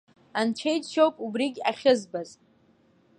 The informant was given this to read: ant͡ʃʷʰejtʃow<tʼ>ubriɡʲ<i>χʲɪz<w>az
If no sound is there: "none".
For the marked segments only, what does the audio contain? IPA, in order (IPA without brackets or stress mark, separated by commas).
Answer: pʼ, a, b